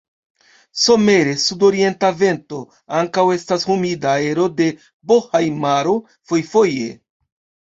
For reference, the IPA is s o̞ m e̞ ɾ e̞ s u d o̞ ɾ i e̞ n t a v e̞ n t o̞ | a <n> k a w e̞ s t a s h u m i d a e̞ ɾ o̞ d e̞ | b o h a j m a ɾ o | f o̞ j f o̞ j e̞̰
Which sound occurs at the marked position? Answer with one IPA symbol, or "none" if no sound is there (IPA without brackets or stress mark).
ŋ